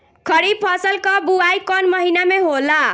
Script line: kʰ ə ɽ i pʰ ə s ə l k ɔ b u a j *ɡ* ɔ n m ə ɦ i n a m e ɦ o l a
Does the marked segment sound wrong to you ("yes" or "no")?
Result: yes